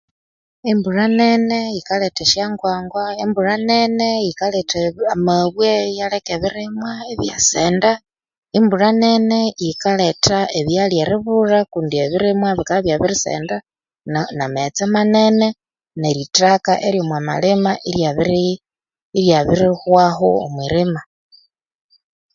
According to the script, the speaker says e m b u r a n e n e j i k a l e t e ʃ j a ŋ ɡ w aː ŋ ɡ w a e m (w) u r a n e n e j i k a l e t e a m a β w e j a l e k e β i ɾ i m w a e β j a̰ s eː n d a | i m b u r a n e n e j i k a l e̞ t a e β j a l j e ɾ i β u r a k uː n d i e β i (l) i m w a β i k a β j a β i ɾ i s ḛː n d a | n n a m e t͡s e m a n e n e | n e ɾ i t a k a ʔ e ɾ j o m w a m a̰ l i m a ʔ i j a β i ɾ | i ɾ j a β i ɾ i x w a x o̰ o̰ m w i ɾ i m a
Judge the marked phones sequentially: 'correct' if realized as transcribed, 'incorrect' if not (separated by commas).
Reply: incorrect, incorrect